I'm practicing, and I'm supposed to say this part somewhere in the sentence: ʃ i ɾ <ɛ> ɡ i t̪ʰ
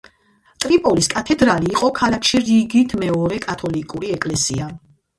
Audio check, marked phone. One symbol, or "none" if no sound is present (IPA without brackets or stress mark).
i